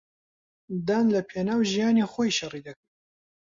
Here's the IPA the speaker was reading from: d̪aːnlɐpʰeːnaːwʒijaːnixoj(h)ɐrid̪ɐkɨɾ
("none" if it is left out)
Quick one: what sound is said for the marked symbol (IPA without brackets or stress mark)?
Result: ʃ